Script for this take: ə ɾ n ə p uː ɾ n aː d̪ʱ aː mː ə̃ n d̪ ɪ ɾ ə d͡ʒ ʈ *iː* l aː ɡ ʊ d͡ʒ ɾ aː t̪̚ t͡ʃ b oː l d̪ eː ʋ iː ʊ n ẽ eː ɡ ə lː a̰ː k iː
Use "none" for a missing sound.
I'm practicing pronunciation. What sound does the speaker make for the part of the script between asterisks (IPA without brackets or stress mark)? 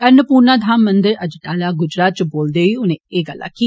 aː